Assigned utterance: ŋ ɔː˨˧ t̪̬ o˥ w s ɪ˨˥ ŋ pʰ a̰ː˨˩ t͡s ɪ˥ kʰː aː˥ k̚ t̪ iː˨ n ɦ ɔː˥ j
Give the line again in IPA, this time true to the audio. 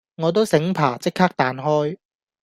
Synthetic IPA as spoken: ŋ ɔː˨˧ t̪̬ o˥ w s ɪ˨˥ ŋ pʰ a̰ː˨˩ t͡s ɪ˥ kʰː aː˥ k̚ t̪ aː˨ n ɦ ɔː˥ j

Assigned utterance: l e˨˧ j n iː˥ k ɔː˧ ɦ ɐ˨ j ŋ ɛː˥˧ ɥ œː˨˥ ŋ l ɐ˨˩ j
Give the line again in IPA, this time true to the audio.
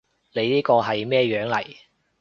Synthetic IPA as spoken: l e˨˧ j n iː˥ k ɔː˧ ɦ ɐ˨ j m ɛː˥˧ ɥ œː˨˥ ŋ l ɐ˨˩ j

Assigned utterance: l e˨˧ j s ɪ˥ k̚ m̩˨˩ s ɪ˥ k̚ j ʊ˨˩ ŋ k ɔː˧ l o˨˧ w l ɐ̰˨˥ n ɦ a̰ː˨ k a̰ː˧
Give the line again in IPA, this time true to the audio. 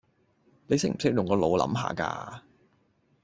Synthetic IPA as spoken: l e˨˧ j s ɪ˥ k̚ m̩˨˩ s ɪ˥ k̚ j ʊ˨˩ ŋ k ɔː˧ l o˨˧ w l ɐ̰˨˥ m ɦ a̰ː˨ k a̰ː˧

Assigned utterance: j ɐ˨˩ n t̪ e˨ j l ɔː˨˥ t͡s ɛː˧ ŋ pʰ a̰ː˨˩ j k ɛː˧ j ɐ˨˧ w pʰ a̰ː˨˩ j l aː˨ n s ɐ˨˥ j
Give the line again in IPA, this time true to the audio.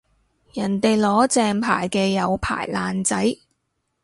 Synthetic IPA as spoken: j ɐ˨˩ n t̪ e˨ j l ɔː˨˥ t͡s ɛː˧ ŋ pʰ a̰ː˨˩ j k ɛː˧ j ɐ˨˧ w pʰ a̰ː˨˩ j l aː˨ n t͡s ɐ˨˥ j

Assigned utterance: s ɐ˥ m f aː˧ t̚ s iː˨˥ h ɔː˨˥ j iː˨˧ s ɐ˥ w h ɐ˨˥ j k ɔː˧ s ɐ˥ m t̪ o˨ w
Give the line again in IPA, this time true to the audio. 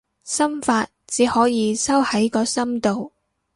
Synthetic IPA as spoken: s ɐ˥ m f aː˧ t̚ t͡s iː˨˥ h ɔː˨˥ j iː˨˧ s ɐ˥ w h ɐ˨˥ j k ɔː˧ s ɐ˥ m t̪ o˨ w

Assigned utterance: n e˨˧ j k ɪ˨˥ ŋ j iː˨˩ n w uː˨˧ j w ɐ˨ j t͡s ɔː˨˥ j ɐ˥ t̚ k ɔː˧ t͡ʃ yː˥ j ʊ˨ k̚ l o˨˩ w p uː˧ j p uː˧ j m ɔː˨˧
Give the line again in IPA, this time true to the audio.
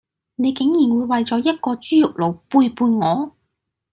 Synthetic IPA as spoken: n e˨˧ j k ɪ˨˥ ŋ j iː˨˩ n w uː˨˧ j w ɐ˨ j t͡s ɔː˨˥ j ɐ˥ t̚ k ɔː˧ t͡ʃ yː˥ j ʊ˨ k̚ l o˨˩ w p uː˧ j p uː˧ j ŋ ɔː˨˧

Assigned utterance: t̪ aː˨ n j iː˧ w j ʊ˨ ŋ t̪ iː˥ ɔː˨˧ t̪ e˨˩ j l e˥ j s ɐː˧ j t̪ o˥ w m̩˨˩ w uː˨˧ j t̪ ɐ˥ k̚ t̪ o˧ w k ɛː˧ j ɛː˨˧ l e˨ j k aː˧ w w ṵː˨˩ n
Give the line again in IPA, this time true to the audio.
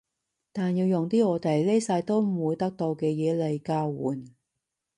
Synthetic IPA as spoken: t̪ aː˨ n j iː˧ w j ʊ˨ ŋ t̪ iː˥ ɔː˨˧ t̪ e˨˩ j l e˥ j s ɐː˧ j t̪ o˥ w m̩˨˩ w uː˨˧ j t̪ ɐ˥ k̚ t̪ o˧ w k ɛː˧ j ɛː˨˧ l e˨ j k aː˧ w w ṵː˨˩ n

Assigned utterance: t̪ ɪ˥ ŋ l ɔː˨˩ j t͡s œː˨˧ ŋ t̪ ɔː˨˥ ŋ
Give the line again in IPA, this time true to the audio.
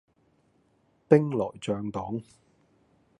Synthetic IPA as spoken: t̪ ɪ˥ ŋ l ɔː˨˩ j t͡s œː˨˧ ŋ t̪ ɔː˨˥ ŋ

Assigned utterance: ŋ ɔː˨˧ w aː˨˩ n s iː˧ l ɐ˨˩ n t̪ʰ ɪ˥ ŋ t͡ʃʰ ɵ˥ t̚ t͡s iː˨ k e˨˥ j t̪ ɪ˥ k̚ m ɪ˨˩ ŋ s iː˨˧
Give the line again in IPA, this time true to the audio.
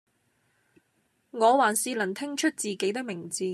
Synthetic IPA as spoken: ŋ ɔː˨˧ w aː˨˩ n s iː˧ l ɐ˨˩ n t̪ʰ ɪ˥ ŋ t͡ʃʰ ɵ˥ t̚ t͡s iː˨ k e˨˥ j t̪ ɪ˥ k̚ m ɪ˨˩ ŋ t͡s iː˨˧

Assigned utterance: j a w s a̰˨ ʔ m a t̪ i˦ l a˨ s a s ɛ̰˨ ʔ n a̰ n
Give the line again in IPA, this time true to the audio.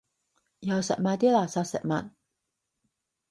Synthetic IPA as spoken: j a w s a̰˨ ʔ m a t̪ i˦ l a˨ s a s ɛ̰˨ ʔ m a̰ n

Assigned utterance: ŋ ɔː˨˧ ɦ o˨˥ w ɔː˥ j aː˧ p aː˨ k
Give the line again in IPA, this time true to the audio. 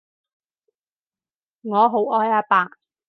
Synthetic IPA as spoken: ŋ ɔː˨˧ ɦ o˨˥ w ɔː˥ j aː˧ p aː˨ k

